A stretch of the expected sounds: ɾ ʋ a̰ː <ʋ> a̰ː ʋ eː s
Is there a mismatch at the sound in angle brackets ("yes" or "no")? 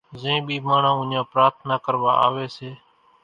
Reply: yes